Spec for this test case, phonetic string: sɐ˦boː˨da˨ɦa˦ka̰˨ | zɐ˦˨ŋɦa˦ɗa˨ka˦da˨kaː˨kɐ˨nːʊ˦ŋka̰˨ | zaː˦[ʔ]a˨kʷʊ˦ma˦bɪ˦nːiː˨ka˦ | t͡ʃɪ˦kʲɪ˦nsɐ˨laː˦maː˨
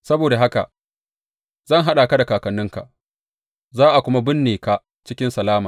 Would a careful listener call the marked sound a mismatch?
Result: no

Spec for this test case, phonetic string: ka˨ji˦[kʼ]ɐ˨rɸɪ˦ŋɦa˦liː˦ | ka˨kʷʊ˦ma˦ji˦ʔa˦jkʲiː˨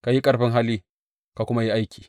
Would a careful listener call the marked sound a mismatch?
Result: no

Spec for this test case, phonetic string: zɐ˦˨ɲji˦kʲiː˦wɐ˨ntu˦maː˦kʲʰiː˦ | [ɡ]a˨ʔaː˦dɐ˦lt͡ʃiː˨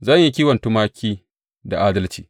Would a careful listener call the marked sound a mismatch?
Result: yes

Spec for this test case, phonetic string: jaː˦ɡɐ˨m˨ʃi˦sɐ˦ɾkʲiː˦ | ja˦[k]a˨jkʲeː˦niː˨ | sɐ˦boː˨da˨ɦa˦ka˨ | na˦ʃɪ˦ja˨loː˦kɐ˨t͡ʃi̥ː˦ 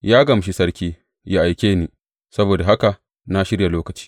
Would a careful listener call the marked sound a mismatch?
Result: yes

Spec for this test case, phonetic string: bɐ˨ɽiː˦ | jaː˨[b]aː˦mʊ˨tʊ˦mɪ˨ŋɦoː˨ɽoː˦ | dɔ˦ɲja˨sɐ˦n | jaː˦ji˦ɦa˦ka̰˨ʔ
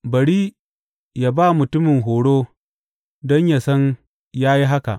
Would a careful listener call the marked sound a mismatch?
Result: no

